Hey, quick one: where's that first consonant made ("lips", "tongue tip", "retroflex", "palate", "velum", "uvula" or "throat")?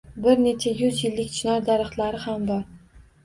lips